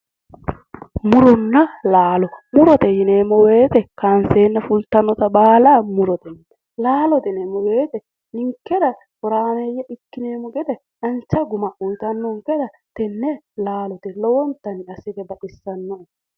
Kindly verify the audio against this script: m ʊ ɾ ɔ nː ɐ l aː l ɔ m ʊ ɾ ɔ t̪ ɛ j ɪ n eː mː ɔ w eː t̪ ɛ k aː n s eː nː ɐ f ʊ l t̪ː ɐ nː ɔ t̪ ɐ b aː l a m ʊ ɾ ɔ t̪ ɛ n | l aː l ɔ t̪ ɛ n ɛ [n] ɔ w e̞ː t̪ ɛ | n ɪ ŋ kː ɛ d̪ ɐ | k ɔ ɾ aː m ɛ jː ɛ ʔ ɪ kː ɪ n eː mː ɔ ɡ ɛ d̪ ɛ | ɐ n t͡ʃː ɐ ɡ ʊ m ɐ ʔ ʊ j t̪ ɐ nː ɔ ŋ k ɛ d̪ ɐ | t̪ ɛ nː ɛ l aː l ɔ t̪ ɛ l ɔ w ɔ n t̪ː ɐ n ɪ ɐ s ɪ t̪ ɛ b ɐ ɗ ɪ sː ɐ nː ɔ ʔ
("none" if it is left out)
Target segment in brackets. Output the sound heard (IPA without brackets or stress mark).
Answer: m